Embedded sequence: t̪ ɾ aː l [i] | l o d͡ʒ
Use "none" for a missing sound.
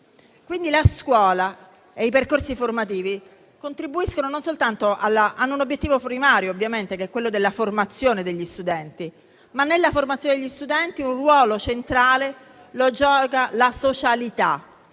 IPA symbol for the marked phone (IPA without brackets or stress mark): e